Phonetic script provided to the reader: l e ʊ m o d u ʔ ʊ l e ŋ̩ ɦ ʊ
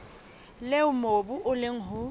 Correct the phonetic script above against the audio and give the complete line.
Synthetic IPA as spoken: l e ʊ m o b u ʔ ʊ l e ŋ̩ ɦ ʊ